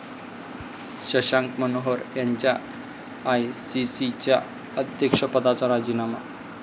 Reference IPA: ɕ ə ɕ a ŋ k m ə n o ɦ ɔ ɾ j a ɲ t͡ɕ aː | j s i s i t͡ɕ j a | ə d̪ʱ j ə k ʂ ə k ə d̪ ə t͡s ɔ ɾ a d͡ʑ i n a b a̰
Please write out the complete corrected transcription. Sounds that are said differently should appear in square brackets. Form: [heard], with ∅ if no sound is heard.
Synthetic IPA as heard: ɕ ə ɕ a ŋ k m ə n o ɦ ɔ ɾ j a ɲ t͡ɕ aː | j s i s i t͡ɕ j a | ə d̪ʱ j ə k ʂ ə [p] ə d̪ [a] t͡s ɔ ɾ a d͡ʑ i n a [m] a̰